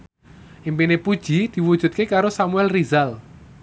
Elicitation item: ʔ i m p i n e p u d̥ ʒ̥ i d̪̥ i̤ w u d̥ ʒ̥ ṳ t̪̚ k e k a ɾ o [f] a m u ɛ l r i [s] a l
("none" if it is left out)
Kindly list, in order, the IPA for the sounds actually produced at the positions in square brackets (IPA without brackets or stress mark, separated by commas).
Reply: s, z